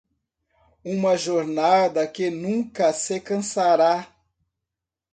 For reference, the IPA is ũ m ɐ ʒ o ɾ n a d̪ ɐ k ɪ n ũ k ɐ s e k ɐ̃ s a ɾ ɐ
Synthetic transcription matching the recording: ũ m ɐ ʒ o ɾ n a d̪ ɐ k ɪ n ũ k ɐ s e k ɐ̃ s a ɾ a